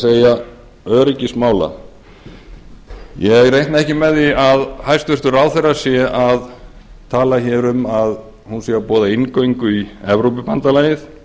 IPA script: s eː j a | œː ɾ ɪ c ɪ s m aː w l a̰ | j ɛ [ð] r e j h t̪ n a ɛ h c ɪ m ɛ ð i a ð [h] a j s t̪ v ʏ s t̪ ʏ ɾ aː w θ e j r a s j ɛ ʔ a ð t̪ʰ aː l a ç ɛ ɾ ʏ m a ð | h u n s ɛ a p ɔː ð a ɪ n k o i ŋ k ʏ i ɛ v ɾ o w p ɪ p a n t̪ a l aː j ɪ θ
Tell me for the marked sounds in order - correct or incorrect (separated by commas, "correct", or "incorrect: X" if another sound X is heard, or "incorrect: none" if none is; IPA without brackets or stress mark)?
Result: incorrect: ɣ, correct